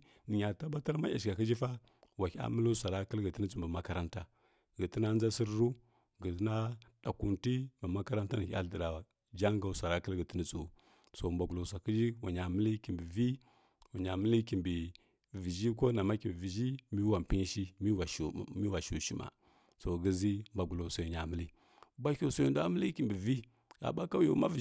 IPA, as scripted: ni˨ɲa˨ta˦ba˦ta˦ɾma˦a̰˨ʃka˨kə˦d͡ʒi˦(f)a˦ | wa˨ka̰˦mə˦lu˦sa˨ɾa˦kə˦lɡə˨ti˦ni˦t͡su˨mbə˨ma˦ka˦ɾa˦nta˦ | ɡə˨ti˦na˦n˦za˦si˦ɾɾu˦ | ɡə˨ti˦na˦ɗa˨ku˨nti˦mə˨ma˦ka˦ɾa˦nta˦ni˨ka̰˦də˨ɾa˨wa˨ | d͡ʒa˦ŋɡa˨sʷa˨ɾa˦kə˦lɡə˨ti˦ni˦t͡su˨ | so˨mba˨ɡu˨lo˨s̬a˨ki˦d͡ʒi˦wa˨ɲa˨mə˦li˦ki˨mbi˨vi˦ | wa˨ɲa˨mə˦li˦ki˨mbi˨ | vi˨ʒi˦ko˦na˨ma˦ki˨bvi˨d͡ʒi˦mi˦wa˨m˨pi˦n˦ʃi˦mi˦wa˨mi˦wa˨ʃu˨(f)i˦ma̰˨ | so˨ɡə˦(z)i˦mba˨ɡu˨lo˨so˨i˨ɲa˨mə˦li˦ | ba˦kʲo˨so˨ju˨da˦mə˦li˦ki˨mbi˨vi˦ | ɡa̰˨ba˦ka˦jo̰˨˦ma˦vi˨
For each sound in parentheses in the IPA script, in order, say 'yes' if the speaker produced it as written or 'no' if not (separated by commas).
yes, no, yes